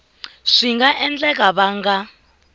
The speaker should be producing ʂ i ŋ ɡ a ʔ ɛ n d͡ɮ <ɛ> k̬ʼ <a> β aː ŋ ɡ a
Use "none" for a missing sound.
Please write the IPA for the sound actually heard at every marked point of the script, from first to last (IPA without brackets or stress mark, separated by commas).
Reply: ɛ, a